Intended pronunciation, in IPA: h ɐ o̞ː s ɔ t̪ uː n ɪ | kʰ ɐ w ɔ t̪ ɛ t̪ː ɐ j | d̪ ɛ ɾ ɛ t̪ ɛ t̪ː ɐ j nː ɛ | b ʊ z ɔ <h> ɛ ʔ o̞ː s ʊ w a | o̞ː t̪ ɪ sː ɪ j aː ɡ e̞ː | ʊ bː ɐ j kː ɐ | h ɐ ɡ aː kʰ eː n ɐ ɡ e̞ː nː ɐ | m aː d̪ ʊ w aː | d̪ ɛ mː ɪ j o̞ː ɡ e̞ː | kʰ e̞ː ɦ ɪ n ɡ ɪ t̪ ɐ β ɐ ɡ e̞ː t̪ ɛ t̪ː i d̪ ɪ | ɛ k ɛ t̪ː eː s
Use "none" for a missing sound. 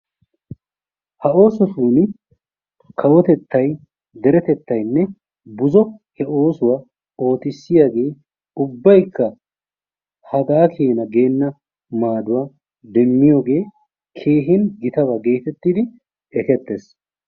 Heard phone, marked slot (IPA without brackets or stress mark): h